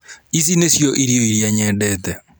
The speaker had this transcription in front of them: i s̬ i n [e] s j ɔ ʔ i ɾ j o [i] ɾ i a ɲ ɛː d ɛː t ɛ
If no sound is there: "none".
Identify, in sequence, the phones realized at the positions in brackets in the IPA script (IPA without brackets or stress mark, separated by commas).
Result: e, i